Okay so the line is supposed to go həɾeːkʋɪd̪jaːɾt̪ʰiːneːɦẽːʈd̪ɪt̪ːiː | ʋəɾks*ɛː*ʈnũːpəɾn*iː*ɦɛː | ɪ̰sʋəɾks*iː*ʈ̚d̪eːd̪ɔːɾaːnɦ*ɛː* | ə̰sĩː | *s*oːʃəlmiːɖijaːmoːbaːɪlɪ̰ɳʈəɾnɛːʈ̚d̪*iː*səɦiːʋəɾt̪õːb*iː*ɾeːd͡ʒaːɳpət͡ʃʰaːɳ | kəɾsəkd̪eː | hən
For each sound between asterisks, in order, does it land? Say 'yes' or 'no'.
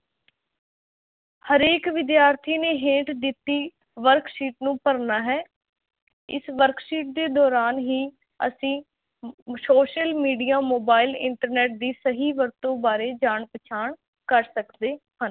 no, no, yes, no, yes, yes, no

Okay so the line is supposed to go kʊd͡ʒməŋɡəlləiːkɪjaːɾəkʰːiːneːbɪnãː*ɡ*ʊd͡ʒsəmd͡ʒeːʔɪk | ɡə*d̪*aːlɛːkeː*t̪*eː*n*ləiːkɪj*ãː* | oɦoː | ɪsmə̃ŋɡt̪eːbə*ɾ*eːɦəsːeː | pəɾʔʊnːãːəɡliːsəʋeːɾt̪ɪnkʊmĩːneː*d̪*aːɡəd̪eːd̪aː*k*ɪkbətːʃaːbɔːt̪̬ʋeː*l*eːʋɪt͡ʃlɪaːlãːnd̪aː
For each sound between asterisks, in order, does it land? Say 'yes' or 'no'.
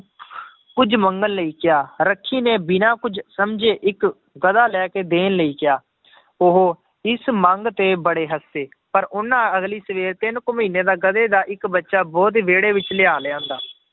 no, yes, no, yes, no, no, yes, no, no

